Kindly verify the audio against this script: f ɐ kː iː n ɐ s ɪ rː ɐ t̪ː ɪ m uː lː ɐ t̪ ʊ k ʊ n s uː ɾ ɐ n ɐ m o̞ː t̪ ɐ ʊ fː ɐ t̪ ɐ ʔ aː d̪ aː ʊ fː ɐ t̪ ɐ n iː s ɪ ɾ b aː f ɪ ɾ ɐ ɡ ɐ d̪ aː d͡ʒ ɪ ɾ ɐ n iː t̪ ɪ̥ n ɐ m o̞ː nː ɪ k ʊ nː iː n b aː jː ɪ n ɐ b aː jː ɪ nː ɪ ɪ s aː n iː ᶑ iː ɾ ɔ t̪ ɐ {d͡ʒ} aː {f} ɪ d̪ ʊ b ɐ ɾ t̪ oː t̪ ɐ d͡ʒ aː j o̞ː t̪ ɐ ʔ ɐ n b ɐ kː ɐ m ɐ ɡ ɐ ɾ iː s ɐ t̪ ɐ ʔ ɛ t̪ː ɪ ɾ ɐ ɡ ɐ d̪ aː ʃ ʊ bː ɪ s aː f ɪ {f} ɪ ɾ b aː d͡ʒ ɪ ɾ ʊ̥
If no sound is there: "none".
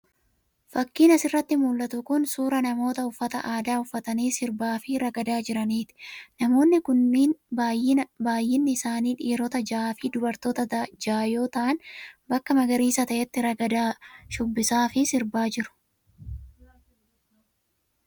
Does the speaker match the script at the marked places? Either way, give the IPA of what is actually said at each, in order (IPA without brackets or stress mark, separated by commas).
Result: d͡ʒ, f, s